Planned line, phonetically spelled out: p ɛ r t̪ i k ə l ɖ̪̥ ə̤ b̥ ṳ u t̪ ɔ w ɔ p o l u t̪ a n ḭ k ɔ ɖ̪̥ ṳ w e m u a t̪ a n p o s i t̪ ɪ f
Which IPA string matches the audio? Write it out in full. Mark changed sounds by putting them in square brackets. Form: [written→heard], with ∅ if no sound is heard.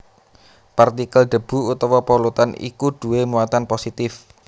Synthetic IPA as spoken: p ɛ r t̪ i k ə l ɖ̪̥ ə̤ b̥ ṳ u t̪ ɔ w ɔ p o l u t̪ a n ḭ k [ɔ→u] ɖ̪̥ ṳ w e m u a t̪ a n p o s i t̪ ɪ f